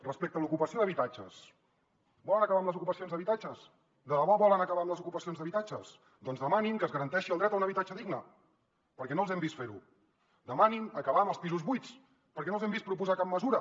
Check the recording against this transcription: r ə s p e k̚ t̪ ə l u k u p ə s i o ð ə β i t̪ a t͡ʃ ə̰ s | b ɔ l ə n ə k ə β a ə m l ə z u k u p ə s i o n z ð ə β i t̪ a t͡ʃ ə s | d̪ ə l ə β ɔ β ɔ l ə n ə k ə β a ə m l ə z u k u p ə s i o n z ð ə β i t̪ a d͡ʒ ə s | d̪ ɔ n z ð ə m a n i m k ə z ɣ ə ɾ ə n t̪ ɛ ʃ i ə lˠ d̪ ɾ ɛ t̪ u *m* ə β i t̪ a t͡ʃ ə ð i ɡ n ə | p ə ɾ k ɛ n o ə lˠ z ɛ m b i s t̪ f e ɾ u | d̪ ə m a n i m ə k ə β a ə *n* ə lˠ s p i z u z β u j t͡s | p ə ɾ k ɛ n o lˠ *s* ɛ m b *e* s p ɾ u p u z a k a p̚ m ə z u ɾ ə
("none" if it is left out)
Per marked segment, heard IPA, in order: n, m, z, i

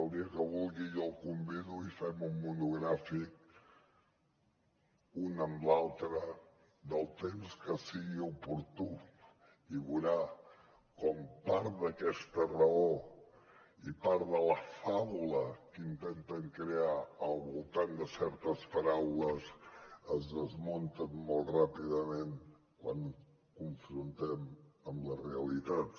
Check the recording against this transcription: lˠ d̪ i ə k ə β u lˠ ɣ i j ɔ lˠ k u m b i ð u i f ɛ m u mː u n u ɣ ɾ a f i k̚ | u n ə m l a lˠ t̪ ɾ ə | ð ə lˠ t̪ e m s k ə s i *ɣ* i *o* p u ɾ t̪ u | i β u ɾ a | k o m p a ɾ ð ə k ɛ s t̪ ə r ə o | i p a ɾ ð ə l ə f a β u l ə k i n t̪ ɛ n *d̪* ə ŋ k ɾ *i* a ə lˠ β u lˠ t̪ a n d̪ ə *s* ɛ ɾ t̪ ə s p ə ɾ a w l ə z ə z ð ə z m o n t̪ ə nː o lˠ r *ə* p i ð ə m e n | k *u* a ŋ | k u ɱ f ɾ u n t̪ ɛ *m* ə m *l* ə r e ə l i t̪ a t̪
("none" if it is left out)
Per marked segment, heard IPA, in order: ɣ, u, t̪, e, s, a, w, m, l

